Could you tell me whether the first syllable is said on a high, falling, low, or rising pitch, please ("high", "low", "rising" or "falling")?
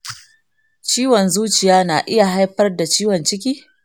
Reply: high